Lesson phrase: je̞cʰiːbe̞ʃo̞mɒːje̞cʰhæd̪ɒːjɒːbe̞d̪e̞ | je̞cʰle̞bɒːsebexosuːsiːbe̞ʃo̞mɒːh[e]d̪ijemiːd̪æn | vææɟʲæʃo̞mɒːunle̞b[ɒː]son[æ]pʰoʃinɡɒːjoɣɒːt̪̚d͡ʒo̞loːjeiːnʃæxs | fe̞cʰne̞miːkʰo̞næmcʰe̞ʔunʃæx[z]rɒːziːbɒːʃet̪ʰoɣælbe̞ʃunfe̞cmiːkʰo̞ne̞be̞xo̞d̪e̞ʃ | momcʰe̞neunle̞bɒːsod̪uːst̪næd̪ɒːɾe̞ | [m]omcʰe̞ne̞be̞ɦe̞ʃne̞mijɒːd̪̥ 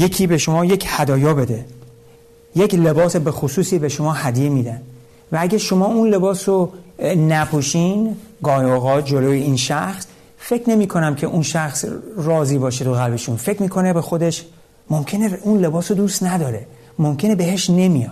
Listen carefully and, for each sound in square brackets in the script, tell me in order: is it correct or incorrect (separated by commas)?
incorrect, correct, correct, incorrect, correct